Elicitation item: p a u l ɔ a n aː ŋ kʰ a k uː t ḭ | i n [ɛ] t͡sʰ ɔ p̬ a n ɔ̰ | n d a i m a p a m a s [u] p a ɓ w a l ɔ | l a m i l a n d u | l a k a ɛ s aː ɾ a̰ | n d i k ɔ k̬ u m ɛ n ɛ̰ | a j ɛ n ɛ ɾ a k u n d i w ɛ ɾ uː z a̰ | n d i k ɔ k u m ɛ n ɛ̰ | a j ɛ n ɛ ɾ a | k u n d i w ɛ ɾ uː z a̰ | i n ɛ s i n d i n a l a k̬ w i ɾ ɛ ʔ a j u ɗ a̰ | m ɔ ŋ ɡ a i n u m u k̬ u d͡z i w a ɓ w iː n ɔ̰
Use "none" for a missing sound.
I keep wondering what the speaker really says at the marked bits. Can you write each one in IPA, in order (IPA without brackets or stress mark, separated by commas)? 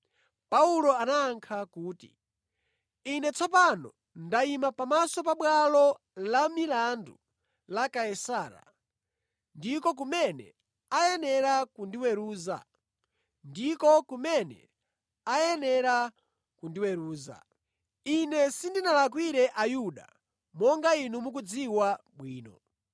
ɛ, ɔ